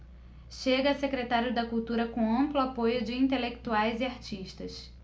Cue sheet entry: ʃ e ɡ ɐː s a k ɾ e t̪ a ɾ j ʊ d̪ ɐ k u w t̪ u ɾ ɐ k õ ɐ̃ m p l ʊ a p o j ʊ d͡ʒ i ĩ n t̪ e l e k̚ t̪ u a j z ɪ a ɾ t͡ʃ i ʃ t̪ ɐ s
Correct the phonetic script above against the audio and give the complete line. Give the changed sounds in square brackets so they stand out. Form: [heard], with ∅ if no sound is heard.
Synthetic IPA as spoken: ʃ e ɡ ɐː s [e] k ɾ e t̪ a ɾ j ʊ d̪ ɐ k u w t̪ u ɾ ɐ k õ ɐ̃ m p l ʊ a p o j ʊ d͡ʒ [ɪ] ĩ n t̪ e l e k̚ t̪ u a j z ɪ a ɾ t͡ʃ i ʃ t̪ ɐ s